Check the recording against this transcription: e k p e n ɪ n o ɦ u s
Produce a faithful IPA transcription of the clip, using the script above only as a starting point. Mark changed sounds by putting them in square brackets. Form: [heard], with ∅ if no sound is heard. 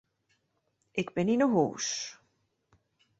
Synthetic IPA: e k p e n [i] n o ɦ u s